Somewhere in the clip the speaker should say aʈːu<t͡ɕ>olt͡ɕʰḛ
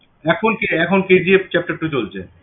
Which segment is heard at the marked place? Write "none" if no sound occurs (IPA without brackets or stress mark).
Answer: t͡ɕ